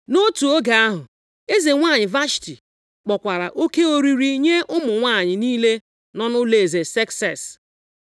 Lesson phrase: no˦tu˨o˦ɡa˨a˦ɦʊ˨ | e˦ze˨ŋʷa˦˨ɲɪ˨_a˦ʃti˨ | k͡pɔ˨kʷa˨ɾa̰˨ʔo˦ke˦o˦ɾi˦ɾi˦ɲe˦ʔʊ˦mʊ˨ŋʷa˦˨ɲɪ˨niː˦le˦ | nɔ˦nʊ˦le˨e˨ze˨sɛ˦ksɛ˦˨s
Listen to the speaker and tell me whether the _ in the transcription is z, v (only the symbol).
v